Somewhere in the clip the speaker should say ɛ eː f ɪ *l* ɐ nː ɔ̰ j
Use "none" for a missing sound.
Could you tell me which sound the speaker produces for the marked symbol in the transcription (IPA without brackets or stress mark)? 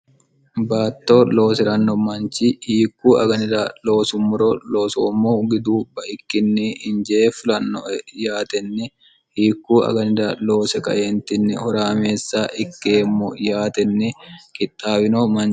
l